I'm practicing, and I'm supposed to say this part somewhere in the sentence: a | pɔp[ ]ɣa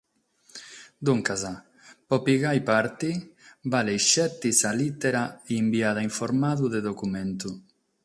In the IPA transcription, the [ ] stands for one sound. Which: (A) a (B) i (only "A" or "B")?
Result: B